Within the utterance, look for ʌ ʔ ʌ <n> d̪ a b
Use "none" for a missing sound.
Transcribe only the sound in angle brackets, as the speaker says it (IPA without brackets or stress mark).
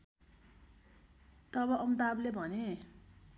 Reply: m